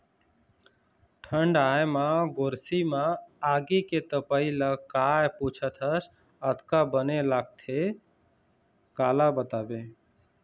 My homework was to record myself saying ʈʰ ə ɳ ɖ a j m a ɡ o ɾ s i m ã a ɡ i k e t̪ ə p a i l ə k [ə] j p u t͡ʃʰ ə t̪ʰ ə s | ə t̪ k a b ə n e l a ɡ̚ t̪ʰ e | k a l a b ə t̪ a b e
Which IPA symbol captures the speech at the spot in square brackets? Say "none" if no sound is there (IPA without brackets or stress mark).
a